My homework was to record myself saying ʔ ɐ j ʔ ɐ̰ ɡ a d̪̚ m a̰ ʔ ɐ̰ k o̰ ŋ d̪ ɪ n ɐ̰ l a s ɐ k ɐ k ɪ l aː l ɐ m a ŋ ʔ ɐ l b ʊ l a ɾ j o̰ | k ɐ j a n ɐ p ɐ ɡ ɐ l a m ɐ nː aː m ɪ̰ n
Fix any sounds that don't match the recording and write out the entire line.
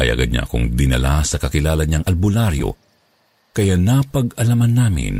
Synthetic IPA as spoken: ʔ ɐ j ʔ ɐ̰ ɡ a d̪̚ ɲ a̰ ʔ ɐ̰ k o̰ ŋ d̪ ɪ n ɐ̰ l a s ɐ k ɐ k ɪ l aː l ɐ ɲ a ŋ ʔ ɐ l b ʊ l a ɾ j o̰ | k ɐ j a n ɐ p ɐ ɡ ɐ l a m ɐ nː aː m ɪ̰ n